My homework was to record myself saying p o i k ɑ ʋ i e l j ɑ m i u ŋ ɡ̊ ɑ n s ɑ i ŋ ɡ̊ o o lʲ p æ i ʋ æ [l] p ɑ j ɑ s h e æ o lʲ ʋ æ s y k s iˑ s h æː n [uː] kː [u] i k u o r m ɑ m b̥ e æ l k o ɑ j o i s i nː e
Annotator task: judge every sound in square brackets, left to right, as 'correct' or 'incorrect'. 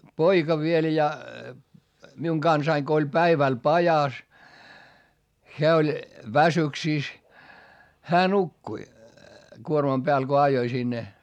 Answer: correct, incorrect, correct

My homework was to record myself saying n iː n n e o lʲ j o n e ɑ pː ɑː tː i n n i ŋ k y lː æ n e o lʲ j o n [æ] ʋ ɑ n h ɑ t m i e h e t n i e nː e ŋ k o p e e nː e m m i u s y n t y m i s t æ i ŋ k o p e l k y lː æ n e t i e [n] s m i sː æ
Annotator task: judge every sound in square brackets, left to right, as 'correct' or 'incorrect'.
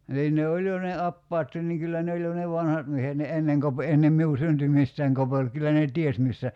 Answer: incorrect, incorrect

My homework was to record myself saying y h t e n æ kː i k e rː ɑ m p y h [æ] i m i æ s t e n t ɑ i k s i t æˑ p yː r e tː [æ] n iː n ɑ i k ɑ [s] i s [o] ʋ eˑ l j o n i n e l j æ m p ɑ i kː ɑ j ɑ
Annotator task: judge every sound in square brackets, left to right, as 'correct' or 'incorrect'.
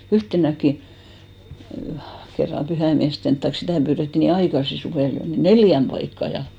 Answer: correct, incorrect, correct, incorrect

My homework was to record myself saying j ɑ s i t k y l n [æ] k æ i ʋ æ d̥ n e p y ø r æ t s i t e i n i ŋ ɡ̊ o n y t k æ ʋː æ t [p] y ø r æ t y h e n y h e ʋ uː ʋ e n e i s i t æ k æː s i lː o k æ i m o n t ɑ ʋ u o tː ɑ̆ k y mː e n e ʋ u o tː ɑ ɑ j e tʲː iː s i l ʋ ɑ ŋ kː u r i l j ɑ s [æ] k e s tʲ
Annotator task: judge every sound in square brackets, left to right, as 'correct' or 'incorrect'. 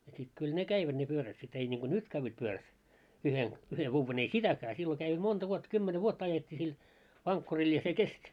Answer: incorrect, correct, incorrect

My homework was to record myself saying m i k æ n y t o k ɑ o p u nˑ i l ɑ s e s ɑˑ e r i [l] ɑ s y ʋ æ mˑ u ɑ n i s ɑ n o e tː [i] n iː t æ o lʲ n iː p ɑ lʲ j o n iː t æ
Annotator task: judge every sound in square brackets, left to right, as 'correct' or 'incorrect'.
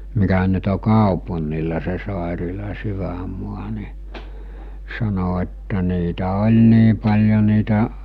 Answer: correct, incorrect

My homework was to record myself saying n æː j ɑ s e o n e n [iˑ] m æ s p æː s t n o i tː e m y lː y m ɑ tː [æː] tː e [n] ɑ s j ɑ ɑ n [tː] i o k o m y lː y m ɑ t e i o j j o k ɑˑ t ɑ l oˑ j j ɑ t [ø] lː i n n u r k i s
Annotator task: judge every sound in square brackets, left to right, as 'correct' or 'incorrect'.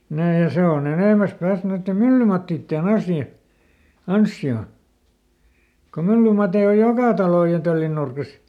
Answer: incorrect, incorrect, correct, incorrect, correct

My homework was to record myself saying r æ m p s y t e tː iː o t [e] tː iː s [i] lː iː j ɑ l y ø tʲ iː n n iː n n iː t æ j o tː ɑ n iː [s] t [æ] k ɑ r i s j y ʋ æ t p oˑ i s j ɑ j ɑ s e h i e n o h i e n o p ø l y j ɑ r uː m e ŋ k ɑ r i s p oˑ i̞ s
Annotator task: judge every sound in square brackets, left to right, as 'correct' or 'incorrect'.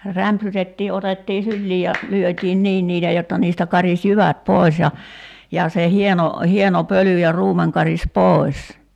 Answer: correct, incorrect, correct, correct

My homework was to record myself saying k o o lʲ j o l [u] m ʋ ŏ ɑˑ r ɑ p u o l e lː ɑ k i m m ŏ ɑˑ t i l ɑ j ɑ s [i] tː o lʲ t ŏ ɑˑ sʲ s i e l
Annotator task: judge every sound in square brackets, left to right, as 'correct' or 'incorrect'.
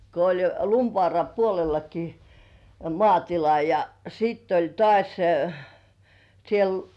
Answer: correct, incorrect

